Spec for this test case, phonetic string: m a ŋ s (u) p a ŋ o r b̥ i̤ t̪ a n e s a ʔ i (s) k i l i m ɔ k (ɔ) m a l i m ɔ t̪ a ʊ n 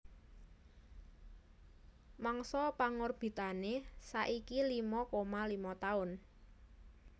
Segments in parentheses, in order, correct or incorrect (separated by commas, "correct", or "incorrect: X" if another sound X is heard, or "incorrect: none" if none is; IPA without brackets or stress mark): incorrect: ɔ, incorrect: none, incorrect: o